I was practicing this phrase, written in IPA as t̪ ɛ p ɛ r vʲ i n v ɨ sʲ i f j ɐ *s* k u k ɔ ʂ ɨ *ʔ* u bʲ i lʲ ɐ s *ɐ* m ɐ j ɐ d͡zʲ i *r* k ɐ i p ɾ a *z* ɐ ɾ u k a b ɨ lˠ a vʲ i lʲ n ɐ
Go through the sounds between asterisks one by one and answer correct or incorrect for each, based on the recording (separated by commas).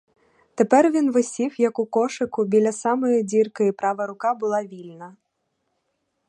incorrect, incorrect, incorrect, correct, incorrect